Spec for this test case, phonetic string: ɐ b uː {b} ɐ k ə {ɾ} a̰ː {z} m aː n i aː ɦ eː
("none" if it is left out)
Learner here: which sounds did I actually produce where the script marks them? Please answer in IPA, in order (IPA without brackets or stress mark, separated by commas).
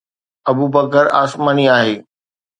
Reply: b, ɾ, s